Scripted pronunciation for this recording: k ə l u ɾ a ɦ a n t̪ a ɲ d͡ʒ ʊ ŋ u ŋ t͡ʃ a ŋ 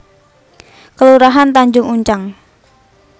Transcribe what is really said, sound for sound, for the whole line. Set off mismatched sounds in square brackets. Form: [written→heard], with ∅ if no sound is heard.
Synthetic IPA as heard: k ə l u ɾ a ɦ a n t̪ a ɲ d͡ʒ ʊ ŋ u [ŋ→ɲ] t͡ʃ a ŋ